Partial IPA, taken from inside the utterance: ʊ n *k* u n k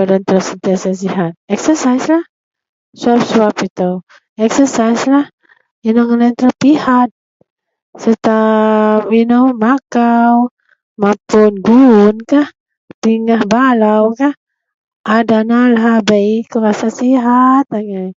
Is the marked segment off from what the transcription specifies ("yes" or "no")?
yes